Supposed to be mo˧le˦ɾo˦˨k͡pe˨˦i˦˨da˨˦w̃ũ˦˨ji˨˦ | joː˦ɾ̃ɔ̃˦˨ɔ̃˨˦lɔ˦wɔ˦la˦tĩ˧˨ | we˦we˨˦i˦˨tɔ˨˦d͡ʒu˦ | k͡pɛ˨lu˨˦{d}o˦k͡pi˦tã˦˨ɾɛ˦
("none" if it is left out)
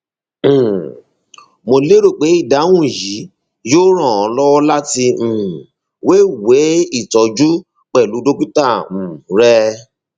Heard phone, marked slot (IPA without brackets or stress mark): d